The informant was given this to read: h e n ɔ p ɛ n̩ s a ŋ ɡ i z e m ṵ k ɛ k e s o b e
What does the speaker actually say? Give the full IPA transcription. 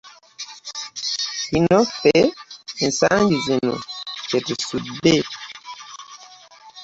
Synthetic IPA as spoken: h i n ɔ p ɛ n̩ s a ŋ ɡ i z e n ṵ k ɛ t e s u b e